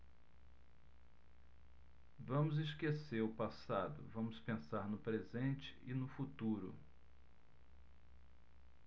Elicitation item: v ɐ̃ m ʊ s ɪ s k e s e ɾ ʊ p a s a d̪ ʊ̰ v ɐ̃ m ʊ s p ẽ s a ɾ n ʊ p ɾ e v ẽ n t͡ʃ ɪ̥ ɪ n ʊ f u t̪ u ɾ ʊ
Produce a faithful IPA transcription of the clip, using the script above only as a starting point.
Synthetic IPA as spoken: v ɐ̃ m ʊ z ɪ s k e s e ɾ ʊ p a s a d̪ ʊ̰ v ɐ̃ m ʊ s p ẽ s a ɾ n ʊ p ɾ e z ẽ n t͡ʃ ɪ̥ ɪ n ʊ f u t̪ u ɾ ʊ